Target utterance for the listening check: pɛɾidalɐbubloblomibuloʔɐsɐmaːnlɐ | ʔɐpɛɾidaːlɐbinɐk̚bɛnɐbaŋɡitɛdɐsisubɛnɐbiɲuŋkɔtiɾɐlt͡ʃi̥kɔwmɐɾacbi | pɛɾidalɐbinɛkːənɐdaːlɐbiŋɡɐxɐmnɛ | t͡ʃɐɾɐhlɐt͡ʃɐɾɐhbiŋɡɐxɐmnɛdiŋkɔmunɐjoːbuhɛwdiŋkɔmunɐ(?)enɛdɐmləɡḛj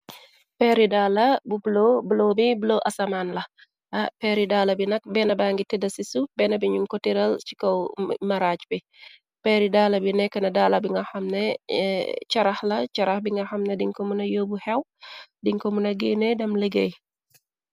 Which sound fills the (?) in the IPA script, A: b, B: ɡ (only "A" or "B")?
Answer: B